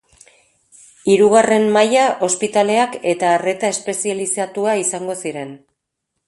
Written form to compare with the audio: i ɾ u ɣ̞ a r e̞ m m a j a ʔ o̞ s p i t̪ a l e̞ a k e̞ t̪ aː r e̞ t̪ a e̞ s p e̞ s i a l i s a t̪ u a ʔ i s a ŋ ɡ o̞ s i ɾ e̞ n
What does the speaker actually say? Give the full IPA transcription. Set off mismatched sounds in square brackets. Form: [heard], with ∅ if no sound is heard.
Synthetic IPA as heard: i ɾ u ɣ̞ a r e̞ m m a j a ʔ o̞ s p i t̪ a l e̞ a k e̞ t̪ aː r e̞ t̪ a e̞ s p e̞ s i a l i s a t̪ u a [∅] i s a ŋ ɡ o̞ s i ɾ e̞ n